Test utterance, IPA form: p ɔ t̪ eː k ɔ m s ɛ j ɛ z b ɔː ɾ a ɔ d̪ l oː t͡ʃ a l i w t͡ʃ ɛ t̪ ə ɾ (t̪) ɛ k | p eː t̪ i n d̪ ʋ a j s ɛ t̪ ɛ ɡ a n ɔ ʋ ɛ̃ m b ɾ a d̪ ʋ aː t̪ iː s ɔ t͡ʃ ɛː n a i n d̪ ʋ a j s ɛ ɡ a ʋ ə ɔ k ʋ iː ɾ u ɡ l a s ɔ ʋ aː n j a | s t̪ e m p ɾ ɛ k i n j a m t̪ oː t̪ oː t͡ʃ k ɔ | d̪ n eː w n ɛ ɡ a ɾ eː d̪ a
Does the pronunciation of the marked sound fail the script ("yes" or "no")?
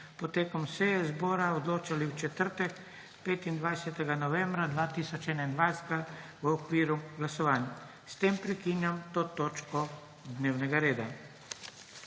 no